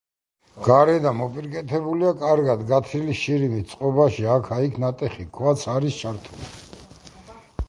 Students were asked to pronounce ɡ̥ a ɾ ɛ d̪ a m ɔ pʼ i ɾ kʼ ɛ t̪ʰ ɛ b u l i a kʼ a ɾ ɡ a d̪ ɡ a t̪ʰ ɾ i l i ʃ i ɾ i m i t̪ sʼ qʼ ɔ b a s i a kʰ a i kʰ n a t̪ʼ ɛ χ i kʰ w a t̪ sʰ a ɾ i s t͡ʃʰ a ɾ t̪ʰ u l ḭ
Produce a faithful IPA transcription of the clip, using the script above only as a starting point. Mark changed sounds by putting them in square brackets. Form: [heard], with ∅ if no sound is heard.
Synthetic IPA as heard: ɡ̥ a ɾ ɛ d̪ a m ɔ pʼ i ɾ kʼ ɛ t̪ʰ ɛ b u l i a kʼ a ɾ ɡ a d̪ ɡ a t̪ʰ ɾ i l i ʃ i ɾ i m i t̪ sʼ qʼ ɔ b a [ʃ] i a kʰ a i kʰ n a t̪ʼ ɛ χ i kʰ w a t̪ sʰ a ɾ i s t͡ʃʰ a ɾ t̪ʰ u l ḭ